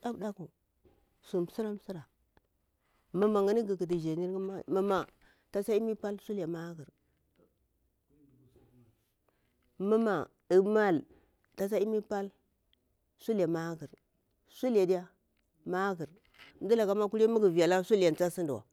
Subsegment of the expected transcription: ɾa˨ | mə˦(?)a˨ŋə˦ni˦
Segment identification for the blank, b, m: m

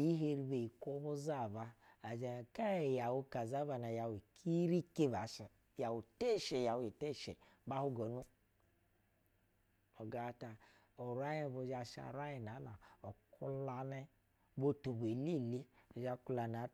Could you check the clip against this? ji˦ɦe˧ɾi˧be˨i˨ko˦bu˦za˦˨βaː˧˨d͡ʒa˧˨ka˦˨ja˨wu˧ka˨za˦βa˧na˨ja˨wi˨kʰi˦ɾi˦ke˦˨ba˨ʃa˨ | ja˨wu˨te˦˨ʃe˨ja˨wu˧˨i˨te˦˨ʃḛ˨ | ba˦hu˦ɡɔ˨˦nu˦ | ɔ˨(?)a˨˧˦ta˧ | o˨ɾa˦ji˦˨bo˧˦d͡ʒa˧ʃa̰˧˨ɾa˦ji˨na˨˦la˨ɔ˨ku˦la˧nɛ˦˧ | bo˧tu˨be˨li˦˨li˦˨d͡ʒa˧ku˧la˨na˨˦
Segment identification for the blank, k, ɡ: ɡ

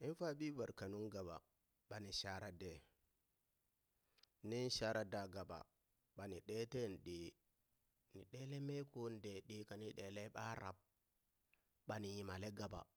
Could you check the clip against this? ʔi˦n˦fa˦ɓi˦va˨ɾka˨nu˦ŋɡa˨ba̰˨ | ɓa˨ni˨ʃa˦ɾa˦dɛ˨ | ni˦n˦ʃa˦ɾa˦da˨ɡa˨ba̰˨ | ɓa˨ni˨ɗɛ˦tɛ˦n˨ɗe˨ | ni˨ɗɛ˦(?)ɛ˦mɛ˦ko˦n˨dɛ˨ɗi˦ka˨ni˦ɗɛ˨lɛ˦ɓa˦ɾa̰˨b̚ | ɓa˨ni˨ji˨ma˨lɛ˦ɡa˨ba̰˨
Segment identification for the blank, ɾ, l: l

